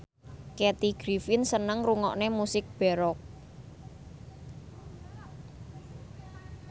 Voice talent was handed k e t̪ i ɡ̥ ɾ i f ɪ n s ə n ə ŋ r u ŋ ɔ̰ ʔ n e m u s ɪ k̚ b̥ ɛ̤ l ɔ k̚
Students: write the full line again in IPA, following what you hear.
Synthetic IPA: k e t̪ i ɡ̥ ɾ i f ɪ n s ə n ə ŋ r u ŋ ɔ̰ ʔ n e m u s ɪ k̚ b̥ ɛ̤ ɾ ɔ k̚